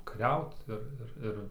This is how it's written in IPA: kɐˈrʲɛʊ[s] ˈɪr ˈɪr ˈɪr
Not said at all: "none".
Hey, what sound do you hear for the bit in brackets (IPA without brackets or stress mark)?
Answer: t